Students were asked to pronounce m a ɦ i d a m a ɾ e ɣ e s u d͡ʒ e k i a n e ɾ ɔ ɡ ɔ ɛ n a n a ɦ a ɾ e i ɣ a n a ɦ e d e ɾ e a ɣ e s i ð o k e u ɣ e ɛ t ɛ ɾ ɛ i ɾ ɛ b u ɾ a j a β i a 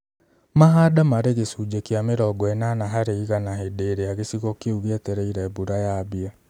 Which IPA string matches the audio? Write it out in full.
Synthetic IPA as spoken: m a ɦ a d a m a ɾ e ɣ e s u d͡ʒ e k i a m e ɾ ɔ ɡ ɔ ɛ n a n a ɦ a ɾ e i ɣ a n a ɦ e d e ɾ e a ɣ e s i ɣ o k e u ɣ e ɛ t ɛ ɾ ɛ i ɾ ɛ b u ɾ a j a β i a